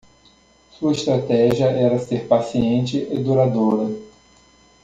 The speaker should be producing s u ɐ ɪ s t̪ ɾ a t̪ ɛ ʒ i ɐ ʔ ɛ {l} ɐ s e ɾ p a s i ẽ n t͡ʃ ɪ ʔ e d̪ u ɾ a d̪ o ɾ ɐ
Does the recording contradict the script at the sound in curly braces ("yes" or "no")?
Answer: yes